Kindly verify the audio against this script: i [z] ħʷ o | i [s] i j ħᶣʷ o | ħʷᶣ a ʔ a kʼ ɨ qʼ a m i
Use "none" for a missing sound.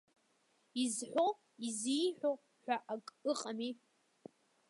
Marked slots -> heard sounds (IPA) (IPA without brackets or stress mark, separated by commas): z, z